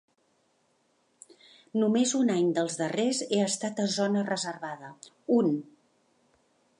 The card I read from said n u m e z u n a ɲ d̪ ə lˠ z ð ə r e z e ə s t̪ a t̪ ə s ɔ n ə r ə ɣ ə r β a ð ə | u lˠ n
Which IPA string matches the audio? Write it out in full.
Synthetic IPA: n u m e z u n a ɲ d̪ ə lˠ z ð ə r e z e ə s t̪ a t̪ ə z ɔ n ə r ə z ə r β a ð ə | u n